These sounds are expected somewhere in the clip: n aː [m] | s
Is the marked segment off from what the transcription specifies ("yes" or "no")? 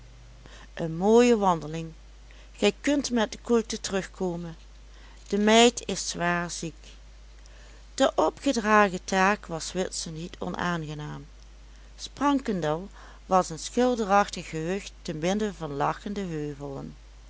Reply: no